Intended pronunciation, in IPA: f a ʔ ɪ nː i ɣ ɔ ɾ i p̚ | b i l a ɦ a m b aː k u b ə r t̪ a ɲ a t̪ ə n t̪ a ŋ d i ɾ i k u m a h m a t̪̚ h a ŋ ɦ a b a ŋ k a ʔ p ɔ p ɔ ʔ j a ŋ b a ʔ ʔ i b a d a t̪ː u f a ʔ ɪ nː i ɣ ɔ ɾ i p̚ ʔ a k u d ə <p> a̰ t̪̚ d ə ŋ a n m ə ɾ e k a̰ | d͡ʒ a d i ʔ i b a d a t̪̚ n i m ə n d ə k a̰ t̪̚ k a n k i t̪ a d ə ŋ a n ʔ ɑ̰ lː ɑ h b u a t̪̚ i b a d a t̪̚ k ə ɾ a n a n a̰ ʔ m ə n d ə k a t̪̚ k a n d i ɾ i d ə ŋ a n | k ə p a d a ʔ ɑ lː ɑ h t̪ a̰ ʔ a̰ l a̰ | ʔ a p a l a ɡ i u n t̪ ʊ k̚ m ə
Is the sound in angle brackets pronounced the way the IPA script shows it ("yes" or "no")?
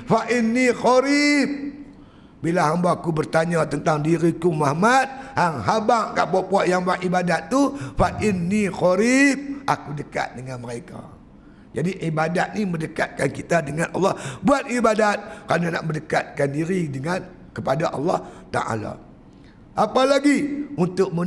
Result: no